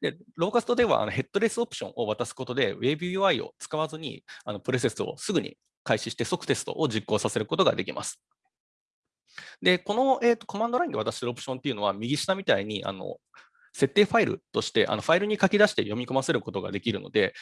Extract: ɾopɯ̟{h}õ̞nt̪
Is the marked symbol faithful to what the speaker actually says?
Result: no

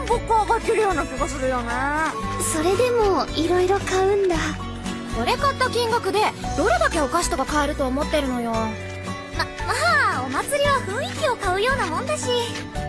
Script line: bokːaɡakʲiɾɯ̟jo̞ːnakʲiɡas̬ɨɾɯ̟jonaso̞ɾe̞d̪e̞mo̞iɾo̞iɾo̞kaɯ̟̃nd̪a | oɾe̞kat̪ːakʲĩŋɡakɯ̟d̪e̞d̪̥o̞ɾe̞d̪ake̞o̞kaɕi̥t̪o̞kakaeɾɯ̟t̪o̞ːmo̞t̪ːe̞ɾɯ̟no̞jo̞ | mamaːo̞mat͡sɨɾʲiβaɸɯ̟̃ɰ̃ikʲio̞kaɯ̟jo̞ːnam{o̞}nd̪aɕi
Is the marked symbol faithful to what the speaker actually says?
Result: no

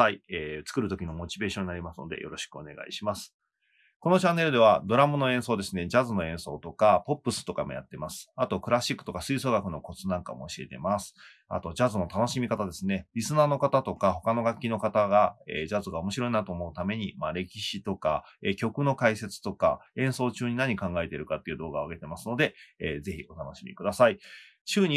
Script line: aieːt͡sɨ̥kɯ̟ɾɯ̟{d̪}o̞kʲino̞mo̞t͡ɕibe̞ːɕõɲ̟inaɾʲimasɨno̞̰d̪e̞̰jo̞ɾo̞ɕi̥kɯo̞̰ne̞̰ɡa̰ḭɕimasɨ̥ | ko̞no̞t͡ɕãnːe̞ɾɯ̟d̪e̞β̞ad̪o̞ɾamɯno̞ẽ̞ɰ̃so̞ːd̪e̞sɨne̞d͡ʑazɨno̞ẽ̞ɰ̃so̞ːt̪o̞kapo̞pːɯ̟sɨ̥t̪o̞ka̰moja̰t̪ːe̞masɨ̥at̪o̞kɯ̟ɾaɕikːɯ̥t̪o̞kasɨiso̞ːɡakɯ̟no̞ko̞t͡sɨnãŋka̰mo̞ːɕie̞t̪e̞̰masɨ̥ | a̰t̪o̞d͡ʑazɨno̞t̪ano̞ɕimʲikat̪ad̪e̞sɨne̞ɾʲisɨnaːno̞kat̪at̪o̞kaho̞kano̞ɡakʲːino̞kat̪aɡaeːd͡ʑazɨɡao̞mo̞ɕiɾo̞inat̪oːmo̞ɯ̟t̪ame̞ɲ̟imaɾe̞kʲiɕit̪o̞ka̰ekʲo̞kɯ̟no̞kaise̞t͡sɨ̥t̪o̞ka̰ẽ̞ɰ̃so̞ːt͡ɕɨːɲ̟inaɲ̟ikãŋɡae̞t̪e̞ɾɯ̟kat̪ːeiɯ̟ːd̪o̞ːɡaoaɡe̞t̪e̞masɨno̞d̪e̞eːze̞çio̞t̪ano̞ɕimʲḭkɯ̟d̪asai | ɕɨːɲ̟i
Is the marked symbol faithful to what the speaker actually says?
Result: no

